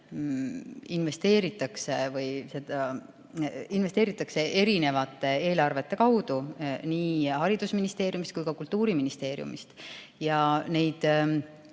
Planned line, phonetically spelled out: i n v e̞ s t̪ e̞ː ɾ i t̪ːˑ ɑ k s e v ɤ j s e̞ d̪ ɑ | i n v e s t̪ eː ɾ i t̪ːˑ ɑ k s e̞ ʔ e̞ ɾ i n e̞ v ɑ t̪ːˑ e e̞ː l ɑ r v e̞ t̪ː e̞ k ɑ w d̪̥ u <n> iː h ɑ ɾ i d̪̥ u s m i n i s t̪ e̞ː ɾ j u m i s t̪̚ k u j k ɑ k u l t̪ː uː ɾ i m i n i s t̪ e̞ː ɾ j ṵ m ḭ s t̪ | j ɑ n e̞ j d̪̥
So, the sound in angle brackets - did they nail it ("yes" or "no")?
yes